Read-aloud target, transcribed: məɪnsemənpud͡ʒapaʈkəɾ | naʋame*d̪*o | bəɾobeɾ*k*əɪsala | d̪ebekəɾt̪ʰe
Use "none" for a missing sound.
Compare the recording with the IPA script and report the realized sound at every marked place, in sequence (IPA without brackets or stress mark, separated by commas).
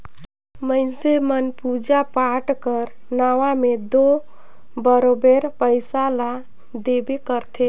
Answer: d̪, p